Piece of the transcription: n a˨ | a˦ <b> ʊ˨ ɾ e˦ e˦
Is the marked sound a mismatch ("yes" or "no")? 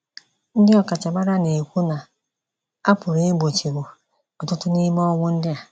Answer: yes